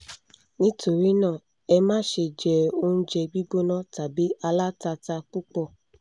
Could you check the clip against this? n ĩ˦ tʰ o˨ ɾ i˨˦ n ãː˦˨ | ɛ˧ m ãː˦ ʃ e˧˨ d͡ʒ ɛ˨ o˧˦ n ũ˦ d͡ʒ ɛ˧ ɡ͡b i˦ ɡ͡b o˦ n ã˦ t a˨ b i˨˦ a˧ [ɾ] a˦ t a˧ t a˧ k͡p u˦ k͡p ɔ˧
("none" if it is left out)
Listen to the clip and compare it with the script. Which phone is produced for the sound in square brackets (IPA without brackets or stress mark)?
l